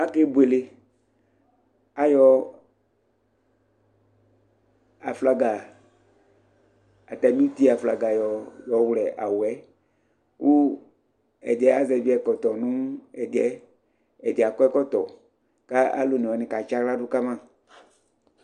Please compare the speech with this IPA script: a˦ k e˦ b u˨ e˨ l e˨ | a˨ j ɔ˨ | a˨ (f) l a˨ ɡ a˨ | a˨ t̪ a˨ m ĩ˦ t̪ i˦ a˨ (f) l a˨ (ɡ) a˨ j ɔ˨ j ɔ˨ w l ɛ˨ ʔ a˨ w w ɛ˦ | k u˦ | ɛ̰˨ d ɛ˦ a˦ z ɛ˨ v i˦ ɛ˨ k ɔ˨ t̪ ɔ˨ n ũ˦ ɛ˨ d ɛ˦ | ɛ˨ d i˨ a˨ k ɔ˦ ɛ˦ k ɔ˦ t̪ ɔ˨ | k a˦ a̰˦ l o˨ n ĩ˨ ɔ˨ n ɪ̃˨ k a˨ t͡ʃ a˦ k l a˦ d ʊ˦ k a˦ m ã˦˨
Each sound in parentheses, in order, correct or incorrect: correct, correct, correct

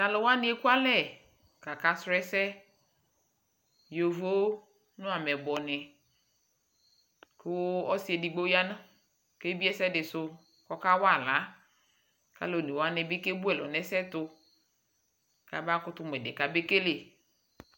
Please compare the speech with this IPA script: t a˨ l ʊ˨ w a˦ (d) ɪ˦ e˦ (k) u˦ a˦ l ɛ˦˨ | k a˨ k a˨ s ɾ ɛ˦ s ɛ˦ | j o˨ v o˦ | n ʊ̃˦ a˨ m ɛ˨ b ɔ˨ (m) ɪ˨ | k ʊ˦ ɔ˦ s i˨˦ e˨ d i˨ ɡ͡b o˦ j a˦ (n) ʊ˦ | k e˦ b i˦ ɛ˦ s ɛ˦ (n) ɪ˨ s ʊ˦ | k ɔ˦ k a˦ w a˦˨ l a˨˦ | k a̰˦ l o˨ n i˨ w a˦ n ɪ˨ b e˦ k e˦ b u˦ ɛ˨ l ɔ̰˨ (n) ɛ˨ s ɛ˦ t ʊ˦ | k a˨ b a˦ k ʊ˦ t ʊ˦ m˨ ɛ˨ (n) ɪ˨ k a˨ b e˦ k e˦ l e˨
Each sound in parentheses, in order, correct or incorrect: incorrect: n, correct, incorrect: n, correct, incorrect: d, correct, incorrect: d

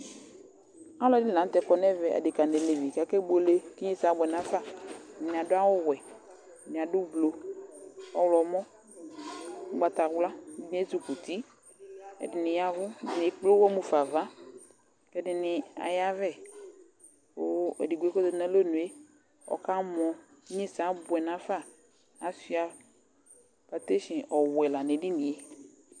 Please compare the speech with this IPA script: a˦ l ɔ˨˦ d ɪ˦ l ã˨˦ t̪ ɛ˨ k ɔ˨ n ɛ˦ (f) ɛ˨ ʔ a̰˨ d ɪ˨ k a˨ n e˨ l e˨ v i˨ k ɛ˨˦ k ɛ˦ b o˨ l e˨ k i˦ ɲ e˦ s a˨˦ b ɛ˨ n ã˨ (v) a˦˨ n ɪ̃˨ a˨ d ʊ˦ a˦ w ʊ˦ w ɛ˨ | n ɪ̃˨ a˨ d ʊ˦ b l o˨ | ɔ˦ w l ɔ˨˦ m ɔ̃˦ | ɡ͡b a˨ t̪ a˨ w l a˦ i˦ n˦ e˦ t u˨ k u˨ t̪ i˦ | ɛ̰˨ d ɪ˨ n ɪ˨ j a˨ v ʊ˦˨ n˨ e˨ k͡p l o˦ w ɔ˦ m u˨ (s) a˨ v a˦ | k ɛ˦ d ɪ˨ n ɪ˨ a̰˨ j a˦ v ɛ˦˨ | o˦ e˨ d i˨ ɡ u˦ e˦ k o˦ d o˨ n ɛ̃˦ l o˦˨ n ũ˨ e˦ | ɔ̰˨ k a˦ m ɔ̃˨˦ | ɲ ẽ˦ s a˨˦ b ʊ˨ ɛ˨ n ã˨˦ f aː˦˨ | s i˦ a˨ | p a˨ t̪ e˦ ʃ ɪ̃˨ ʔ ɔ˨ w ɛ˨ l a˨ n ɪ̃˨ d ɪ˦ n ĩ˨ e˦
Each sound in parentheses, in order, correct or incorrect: incorrect: v, incorrect: f, incorrect: f

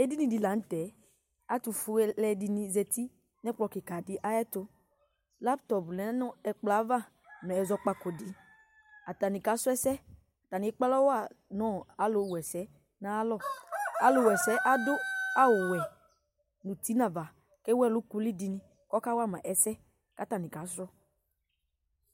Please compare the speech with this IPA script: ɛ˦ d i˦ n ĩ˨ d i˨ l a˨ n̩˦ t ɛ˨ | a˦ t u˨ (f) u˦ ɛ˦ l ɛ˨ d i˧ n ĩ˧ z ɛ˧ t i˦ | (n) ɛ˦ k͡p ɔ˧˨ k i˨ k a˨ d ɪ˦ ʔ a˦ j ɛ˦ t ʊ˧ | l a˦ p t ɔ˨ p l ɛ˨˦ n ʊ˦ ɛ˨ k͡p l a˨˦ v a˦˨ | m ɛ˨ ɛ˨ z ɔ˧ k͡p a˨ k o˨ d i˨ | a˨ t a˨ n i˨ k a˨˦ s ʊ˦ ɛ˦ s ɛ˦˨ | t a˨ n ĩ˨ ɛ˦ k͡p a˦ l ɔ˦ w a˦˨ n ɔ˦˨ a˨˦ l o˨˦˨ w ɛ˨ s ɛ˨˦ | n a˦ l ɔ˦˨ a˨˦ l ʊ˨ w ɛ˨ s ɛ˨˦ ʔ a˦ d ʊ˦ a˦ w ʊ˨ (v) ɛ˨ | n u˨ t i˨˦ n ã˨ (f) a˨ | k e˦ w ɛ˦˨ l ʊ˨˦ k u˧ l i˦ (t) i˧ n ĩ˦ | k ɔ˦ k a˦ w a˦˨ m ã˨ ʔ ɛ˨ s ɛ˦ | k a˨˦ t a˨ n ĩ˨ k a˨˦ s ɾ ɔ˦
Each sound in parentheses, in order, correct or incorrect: correct, correct, incorrect: w, incorrect: v, incorrect: d

